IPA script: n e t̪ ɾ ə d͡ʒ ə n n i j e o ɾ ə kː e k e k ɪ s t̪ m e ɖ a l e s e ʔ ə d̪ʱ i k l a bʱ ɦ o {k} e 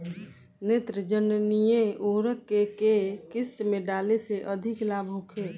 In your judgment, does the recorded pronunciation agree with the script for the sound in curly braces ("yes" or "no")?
no